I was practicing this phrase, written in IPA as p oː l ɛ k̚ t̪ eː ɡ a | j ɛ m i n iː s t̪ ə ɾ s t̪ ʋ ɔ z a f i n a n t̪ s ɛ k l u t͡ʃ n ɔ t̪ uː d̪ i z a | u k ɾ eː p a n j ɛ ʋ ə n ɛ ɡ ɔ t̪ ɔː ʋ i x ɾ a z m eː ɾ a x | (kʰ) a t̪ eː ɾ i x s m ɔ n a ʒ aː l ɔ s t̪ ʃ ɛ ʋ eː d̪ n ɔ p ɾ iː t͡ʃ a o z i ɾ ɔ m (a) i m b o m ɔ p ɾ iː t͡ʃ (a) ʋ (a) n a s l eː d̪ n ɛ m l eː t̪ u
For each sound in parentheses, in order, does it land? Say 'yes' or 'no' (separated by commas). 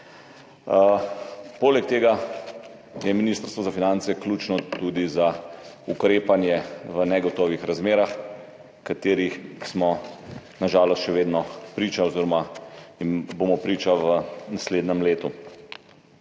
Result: no, yes, yes, no